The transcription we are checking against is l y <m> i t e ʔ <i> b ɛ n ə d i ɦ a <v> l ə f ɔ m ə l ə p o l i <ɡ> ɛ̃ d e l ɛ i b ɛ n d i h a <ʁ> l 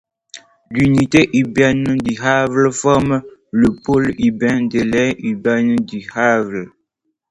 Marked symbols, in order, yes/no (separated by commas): no, yes, yes, no, no